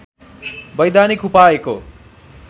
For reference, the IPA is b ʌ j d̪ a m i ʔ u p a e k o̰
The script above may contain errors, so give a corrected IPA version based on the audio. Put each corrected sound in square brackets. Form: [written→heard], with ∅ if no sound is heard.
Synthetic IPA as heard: b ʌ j d̪ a [m→n] i [ʔ→k] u p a e k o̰